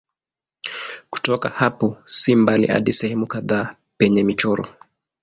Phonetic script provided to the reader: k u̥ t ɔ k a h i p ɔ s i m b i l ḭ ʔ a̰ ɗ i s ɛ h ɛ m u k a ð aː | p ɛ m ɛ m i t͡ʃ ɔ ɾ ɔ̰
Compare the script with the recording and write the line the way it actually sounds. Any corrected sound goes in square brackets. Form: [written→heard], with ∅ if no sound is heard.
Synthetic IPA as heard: k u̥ t ɔ k a h [i→a] p ɔ s i m b [i→a] l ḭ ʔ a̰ ɗ i s ɛ h ɛ m u k a ð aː | p ɛ [m→ɲ] ɛ m i t͡ʃ ɔ ɾ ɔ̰